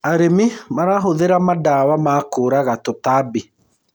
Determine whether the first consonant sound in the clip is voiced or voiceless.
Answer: voiced